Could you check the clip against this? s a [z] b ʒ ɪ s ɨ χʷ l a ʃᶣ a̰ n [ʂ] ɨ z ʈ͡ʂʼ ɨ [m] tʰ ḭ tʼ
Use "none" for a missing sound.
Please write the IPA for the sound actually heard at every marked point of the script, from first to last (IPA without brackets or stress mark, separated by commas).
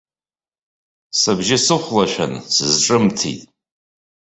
none, s, m